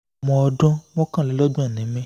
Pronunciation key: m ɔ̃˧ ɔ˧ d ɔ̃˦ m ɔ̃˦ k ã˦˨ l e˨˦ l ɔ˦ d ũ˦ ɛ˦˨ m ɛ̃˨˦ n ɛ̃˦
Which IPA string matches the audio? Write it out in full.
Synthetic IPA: m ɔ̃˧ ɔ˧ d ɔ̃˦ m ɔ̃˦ k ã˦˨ l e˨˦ l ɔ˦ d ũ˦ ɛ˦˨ n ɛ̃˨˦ m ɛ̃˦